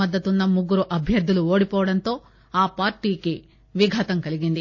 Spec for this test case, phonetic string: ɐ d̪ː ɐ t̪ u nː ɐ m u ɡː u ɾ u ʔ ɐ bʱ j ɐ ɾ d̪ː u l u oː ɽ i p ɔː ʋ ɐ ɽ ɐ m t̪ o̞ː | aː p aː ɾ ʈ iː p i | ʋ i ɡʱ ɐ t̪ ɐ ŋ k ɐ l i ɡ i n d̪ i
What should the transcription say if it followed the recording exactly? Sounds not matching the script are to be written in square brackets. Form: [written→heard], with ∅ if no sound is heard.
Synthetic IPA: ɐ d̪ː ɐ t̪ u nː ɐ m u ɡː u ɾ u ʔ ɐ bʱ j ɐ ɾ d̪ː u l u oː ɽ i p ɔː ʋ ɐ ɽ ɐ [m→n] t̪ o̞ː | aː p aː ɾ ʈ iː [p→k] i | ʋ i ɡʱ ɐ t̪ ɐ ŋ k ɐ l i ɡ i n d̪ i